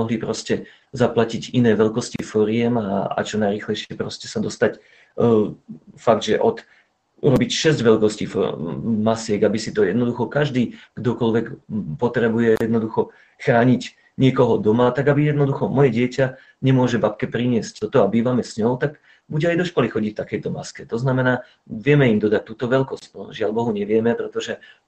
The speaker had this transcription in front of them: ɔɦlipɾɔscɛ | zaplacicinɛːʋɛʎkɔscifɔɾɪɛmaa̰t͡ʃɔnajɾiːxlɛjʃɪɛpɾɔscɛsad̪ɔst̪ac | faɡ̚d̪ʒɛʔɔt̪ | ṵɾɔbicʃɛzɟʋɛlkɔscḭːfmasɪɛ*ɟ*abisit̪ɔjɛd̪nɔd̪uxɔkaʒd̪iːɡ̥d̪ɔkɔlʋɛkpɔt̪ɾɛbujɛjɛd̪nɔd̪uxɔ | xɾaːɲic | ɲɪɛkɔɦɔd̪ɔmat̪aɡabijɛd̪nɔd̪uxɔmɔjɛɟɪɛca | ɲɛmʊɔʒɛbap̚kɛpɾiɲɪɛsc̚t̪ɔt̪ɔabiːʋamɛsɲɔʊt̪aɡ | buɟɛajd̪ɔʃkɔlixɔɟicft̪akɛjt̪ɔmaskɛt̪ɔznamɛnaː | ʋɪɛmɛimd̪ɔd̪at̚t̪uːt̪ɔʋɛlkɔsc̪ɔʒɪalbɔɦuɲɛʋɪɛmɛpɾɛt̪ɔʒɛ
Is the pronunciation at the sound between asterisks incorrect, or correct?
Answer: incorrect